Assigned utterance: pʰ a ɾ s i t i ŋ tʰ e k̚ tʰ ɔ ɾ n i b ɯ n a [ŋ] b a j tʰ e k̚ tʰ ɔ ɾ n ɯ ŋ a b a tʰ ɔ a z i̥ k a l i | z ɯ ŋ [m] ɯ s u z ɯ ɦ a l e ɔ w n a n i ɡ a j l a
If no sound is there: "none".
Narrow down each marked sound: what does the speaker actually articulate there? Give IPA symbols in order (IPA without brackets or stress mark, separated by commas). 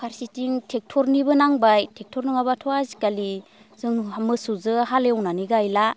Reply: ŋ, m